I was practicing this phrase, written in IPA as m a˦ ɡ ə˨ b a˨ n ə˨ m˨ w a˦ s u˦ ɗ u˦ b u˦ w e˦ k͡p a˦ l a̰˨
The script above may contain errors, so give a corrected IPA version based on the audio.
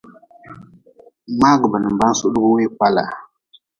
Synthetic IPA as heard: m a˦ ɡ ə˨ b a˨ n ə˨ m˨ b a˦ s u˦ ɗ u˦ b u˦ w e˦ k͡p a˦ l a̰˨

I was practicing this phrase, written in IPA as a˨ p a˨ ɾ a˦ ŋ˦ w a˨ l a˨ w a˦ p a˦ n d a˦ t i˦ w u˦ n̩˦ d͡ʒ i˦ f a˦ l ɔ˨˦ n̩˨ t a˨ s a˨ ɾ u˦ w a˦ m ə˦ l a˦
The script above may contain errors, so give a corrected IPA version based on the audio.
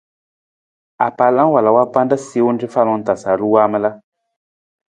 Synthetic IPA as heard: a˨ p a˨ l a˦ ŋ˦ w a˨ l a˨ w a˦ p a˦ n d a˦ s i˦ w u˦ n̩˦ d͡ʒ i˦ f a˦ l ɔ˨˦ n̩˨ t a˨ s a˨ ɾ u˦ w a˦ m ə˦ l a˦

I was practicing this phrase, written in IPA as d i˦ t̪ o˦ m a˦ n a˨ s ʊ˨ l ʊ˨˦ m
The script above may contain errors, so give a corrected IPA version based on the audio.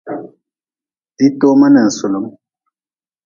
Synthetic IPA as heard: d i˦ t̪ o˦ m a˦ n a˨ s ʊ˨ l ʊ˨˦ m

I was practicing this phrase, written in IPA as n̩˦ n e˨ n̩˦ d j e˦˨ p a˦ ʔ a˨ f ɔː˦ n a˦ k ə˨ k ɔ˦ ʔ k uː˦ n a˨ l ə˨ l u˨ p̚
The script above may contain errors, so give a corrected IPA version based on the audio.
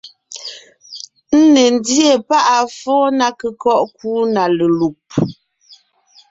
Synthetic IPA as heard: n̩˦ n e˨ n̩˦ d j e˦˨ p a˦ ʔ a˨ f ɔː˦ n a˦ k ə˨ k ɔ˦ ʔ k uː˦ n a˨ l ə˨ l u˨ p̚

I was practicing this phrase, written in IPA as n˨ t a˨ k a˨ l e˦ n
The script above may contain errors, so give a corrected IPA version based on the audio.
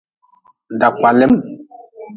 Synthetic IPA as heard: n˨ d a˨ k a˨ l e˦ m

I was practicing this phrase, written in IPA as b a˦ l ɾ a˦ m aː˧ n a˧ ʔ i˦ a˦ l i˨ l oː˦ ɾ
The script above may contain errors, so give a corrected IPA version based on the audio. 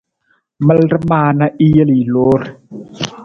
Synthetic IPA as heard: m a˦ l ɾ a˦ m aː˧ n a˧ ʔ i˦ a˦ l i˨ l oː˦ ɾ

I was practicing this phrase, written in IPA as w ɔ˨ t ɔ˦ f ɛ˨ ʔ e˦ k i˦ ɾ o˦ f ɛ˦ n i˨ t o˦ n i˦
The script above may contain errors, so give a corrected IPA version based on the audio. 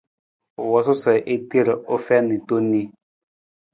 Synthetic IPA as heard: w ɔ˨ s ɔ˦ s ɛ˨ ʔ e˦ t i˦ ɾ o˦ f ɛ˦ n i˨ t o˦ n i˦

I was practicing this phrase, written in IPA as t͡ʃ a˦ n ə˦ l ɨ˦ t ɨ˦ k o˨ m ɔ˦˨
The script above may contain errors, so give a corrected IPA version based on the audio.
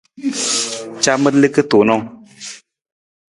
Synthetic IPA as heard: t͡ʃ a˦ m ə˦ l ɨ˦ k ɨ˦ t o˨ n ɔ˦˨

